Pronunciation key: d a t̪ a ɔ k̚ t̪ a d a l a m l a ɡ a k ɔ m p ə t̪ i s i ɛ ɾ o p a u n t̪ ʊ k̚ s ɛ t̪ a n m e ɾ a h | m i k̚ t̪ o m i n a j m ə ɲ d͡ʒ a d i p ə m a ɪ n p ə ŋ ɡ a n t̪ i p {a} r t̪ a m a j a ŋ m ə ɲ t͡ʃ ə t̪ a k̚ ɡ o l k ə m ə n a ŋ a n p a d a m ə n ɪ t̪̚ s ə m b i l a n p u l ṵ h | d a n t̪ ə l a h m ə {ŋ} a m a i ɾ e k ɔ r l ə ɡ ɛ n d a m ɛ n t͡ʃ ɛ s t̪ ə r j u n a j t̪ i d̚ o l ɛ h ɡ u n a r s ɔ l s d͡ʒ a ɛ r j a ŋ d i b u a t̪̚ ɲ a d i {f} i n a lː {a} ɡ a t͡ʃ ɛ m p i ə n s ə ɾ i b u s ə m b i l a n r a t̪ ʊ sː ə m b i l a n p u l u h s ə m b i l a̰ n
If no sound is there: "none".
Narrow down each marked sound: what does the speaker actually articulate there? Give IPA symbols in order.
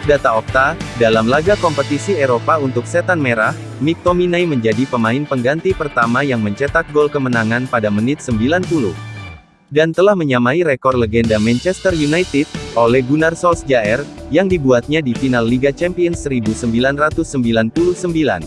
ə, ɲ, f, i

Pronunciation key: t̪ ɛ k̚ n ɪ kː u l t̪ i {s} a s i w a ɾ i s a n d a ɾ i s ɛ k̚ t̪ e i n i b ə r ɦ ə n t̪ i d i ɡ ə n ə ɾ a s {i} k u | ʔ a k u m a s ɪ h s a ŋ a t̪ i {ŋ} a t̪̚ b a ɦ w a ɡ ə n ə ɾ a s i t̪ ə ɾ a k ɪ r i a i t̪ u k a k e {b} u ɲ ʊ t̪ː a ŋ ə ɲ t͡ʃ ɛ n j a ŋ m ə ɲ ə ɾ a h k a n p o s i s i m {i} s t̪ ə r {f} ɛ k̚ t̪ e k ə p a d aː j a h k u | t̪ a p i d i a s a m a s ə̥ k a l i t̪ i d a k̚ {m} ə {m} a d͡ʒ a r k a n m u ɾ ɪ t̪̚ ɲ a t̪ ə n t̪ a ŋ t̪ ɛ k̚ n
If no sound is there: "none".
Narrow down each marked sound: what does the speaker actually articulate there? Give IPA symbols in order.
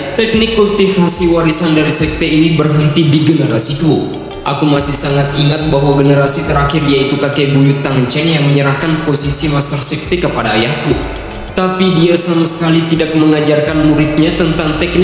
f, i, ŋ, b, a, s, m, ŋ

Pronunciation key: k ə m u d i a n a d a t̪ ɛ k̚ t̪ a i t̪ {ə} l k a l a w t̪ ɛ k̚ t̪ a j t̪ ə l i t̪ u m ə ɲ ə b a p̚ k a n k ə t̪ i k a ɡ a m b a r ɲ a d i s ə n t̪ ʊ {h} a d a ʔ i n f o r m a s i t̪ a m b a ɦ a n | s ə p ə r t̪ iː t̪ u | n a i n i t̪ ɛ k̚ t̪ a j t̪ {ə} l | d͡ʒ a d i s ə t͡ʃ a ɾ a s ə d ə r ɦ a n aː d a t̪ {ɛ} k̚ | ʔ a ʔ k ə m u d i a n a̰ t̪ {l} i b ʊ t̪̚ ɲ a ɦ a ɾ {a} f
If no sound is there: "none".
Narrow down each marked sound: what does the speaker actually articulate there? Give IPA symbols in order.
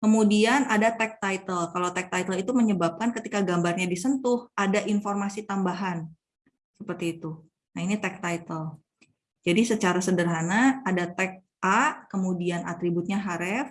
ə, h, ə, ɛ, ɾ, ɛ

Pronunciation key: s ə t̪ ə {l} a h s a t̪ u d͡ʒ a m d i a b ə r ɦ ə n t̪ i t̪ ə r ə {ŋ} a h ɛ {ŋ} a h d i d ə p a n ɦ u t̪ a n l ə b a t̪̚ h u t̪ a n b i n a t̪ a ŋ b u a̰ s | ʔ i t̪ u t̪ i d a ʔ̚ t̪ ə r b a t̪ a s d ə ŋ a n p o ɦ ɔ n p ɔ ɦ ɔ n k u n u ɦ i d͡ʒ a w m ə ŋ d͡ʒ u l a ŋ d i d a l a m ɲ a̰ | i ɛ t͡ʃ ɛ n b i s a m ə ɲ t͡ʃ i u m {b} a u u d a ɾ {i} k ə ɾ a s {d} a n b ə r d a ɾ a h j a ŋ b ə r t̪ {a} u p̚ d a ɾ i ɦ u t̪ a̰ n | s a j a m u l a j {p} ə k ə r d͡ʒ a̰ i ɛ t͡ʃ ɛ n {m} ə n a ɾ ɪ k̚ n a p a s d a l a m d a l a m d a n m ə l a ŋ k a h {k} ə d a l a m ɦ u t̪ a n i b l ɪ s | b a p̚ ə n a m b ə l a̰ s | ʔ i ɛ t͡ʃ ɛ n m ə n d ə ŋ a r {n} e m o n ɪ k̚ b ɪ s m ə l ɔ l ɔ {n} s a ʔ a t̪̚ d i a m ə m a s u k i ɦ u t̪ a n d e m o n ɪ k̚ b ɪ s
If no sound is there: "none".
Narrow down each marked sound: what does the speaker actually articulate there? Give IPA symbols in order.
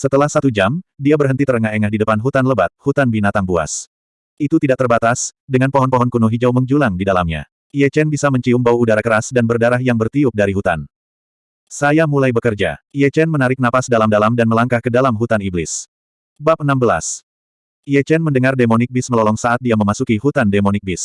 l, ŋ, ŋ, b, a, d, i, b, m, k, d, ŋ

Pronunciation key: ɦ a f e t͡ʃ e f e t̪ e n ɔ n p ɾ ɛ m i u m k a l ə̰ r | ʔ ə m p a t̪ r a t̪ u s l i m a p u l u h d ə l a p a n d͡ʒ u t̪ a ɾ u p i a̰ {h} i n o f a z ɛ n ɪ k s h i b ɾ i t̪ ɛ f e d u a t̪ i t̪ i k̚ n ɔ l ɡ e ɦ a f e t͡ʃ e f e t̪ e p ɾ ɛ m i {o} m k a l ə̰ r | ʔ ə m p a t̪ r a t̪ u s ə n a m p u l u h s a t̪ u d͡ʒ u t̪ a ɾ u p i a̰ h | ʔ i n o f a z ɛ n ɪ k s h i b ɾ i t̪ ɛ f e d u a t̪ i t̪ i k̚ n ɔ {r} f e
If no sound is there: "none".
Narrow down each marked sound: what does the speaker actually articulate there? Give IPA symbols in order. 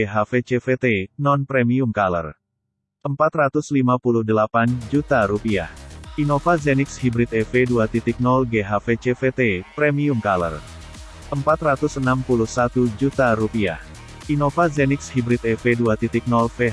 h, u, l

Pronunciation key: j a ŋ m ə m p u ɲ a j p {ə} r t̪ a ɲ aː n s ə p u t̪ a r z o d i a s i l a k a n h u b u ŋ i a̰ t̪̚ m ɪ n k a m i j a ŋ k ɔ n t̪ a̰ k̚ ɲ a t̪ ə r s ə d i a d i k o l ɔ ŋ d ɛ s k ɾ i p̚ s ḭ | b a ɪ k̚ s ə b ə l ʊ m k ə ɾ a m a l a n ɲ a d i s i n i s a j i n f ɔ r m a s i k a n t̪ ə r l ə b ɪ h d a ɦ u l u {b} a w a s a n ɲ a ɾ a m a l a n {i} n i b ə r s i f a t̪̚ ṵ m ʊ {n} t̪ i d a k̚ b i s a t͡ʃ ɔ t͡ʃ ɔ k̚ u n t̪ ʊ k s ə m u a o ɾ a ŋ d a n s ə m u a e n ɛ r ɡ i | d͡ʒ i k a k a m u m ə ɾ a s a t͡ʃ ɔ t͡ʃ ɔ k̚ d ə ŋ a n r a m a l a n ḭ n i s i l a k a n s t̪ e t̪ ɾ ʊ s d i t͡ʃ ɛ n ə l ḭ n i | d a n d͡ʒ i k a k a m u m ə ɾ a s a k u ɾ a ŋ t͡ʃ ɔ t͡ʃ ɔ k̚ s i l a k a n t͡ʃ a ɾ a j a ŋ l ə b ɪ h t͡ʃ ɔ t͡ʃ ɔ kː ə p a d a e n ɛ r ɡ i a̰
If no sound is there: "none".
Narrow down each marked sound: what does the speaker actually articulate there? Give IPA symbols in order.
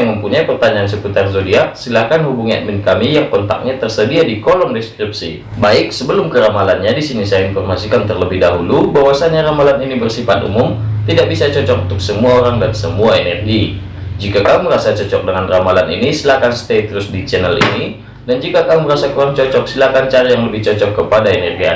ə, b, i, m

